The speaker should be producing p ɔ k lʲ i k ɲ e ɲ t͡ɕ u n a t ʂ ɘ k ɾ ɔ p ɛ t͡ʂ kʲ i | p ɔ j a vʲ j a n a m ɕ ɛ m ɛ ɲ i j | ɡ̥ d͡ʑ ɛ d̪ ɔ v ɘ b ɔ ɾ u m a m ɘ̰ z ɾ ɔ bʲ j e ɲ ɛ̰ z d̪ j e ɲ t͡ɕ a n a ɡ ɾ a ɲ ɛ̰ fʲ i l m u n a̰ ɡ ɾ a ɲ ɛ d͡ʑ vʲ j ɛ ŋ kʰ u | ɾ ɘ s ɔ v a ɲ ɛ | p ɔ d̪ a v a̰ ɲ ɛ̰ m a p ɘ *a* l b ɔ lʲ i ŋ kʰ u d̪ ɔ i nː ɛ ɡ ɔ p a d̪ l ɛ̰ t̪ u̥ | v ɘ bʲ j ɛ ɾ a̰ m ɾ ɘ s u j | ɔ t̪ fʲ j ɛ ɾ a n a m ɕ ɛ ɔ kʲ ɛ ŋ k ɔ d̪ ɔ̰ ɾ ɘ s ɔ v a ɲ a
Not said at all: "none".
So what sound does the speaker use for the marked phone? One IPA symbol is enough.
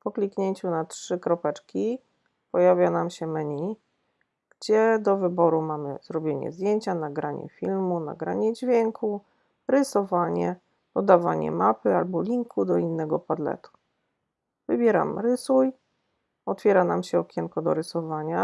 a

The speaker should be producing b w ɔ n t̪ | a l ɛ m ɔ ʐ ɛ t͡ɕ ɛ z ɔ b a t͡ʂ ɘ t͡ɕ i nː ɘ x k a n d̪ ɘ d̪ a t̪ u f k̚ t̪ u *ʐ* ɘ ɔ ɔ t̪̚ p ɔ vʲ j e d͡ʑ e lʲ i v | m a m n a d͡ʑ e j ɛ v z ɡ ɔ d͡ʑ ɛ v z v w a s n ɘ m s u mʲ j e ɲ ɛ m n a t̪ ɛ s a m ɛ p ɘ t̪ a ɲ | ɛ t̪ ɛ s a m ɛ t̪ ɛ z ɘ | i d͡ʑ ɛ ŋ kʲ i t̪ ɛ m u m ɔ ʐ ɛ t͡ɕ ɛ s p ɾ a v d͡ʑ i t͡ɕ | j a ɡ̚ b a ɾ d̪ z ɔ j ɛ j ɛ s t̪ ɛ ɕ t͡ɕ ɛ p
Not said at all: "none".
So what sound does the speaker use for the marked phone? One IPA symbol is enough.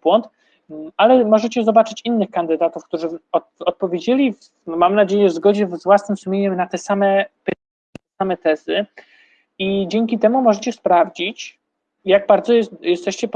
ʐ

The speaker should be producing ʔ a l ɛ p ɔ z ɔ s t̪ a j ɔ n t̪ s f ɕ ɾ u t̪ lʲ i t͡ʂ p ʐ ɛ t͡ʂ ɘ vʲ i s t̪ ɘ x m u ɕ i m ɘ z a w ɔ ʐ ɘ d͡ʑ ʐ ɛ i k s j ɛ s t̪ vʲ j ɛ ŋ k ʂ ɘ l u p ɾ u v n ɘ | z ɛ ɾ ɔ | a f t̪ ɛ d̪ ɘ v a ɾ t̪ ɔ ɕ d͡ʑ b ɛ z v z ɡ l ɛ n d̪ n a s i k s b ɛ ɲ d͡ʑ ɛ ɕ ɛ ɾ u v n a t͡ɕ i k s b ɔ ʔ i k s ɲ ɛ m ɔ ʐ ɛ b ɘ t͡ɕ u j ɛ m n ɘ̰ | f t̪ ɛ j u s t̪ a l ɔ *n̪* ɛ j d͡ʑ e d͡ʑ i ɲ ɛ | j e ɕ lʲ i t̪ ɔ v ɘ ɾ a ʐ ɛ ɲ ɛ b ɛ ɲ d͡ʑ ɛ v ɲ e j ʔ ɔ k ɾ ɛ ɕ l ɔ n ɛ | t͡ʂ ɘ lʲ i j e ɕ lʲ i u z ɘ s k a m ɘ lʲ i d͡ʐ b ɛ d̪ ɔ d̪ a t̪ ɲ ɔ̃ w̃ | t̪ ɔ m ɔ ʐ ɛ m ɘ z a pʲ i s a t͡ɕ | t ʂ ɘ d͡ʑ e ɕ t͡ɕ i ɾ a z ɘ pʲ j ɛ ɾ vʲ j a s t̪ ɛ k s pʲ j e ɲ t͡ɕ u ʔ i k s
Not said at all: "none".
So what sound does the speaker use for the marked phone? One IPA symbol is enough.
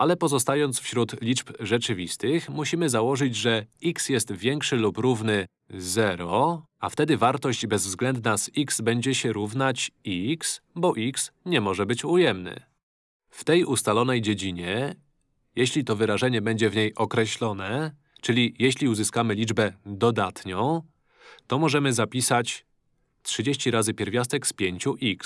n̪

